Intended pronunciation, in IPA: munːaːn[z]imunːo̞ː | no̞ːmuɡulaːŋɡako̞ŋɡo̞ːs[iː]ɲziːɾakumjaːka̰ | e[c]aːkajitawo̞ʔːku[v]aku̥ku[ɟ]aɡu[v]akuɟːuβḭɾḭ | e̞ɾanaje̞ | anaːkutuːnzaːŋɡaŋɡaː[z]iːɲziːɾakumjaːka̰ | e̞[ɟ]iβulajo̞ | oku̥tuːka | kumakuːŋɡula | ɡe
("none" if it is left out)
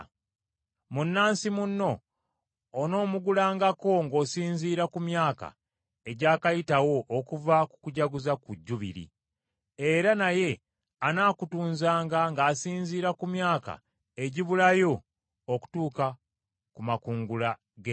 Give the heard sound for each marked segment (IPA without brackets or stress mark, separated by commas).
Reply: s, iː, ɟ, v, ɟ, z, s, ɟ